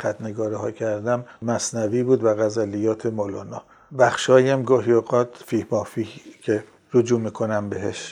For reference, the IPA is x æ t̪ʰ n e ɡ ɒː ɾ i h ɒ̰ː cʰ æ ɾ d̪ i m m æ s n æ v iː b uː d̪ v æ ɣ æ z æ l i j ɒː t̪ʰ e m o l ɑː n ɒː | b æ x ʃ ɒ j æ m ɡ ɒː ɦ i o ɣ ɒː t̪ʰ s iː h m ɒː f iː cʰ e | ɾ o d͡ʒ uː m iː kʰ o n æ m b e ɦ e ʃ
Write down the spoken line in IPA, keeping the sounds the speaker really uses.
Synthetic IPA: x æ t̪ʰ n e ɡ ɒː ɾ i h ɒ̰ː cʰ æ ɾ d̪ æ m m æ s n æ v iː b uː d̪ v æ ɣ æ z æ l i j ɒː t̪ʰ e m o l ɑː n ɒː | b æ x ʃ ɒː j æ m ɡ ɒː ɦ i o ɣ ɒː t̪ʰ f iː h m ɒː f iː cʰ e | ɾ o d͡ʒ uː m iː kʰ o n æ m b e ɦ e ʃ